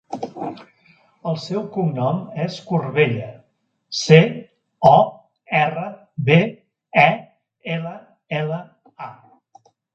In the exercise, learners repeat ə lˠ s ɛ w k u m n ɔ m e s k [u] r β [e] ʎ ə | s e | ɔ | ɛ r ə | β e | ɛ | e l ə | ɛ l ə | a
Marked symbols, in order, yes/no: yes, yes

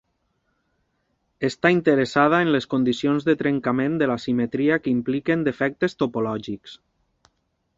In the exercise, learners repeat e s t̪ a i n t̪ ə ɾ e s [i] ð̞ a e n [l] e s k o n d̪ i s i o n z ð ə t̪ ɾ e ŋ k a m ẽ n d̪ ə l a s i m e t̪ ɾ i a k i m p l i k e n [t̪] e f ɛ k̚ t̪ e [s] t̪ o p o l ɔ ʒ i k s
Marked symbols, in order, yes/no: no, yes, no, yes

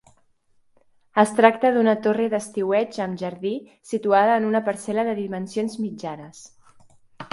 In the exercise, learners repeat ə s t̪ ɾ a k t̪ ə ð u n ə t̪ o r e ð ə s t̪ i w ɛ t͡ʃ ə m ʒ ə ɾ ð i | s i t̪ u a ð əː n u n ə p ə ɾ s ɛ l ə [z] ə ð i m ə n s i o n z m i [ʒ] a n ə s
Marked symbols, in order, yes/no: no, no

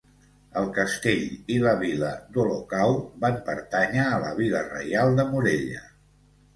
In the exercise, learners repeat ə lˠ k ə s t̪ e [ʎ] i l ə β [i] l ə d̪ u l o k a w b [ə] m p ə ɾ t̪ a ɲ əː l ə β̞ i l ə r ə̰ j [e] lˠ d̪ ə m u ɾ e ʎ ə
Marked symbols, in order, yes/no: yes, yes, no, no

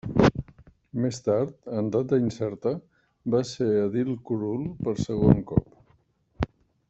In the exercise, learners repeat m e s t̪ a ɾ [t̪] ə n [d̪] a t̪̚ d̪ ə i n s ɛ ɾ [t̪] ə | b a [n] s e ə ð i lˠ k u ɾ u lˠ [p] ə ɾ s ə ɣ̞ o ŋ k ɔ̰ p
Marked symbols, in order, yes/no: yes, yes, yes, no, yes

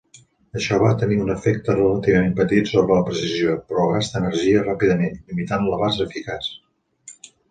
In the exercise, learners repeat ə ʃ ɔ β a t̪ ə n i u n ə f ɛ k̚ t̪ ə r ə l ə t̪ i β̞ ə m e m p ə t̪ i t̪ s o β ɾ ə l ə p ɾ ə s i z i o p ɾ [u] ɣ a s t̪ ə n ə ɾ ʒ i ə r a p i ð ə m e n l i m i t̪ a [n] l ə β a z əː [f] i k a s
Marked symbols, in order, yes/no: no, yes, yes

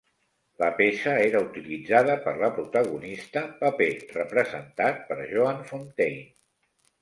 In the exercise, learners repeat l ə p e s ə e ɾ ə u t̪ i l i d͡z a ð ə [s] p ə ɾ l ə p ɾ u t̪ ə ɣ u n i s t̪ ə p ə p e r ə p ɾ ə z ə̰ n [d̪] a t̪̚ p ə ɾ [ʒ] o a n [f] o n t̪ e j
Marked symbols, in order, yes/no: no, no, yes, yes

